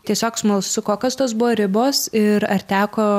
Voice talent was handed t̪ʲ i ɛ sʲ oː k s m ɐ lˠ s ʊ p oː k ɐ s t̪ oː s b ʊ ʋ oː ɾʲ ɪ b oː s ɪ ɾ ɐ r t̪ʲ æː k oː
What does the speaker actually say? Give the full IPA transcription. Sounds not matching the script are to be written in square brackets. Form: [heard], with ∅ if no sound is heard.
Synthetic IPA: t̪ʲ i ɛ sʲ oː k s m ɐ lˠ s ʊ [k] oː k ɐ s t̪ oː s b ʊ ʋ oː ɾʲ ɪ b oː s ɪ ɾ ɐ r t̪ʲ æː k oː